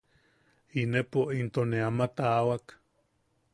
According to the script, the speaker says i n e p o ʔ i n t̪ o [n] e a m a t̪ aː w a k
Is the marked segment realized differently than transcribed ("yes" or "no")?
no